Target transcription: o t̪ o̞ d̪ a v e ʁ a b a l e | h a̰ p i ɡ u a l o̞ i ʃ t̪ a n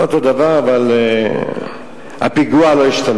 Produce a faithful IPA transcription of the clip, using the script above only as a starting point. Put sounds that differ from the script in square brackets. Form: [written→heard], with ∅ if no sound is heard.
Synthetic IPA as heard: o t̪ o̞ d̪ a v [e→a] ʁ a [b→v] a l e | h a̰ p i ɡ u a l o̞ i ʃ t̪ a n